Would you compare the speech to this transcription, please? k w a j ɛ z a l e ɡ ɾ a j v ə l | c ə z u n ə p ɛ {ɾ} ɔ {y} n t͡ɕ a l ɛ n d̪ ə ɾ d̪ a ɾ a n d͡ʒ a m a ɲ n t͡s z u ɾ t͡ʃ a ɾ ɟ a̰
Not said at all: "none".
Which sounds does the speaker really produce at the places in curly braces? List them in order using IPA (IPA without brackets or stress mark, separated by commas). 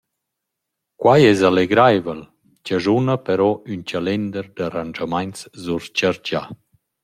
ɾ, y